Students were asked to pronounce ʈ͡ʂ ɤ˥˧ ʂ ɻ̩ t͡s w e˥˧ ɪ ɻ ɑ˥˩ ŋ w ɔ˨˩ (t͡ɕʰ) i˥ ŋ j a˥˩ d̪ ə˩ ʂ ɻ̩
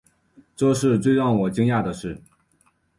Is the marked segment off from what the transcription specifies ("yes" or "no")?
yes